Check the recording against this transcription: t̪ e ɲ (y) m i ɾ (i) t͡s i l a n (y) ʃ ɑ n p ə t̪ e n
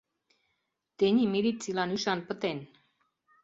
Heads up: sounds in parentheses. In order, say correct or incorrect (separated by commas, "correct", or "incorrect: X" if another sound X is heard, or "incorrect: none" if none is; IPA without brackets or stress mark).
incorrect: i, correct, correct